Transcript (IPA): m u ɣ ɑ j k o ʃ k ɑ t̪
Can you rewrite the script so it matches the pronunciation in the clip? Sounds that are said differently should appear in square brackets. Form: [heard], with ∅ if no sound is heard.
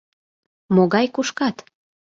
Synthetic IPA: m [o] ɣ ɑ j k [u] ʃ k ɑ t̪